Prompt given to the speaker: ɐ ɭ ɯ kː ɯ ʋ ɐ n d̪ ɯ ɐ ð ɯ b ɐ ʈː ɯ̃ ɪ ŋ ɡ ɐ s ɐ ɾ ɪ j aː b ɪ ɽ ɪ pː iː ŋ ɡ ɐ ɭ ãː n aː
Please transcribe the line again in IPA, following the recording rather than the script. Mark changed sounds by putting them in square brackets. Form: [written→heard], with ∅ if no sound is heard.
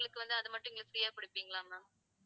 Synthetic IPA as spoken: ɐ ɭ ɯ kː ɯ ʋ ɐ n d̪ ɯ ɐ ð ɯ [b→m] ɐ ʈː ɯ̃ ɪ ŋ ɡ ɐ s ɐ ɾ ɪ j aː [b→p] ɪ ɽ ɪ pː iː ŋ ɡ ɐ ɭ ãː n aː